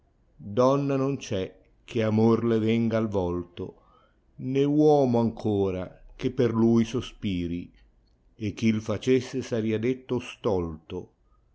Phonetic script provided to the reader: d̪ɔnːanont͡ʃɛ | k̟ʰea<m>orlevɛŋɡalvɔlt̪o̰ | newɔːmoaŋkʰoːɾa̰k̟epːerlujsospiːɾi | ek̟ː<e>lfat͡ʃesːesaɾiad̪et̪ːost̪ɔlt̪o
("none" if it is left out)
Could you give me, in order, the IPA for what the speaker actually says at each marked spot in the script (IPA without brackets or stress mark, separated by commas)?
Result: m, i